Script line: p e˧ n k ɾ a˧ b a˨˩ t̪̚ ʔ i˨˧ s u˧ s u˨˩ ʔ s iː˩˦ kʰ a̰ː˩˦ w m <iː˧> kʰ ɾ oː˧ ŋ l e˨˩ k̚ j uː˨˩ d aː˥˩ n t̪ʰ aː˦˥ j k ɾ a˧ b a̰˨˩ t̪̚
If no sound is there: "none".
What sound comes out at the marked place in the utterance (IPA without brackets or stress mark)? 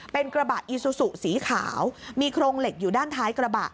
iː˧